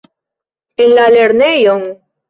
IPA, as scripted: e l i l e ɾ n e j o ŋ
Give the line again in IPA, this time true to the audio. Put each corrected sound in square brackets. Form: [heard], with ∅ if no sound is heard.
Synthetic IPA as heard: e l [a] l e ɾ n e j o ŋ